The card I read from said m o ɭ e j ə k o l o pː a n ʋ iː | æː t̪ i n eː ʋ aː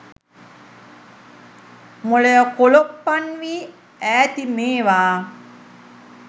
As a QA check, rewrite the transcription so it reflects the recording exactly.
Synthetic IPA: m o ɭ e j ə k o l o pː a n ʋ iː | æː t̪ i m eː ʋ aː